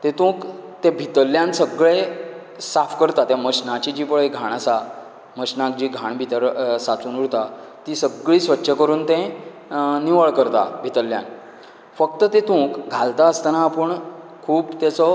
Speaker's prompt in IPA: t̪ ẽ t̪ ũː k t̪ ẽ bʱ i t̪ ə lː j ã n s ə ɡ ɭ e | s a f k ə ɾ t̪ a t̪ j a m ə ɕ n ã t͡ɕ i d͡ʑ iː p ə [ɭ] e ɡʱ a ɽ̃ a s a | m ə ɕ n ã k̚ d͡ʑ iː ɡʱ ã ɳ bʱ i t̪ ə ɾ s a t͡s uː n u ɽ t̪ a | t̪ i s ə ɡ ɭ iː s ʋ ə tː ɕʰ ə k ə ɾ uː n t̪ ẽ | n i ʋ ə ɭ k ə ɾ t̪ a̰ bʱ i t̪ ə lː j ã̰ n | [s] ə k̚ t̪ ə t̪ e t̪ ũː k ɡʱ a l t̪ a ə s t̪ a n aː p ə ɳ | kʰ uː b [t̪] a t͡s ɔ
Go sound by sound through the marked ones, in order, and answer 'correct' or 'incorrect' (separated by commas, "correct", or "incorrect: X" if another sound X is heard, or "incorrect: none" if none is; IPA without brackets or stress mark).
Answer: correct, incorrect: f, correct